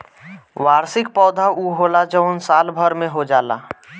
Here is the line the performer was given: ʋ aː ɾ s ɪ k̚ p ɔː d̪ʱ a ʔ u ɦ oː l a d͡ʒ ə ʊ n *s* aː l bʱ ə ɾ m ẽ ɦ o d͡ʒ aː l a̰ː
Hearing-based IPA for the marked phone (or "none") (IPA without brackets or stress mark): s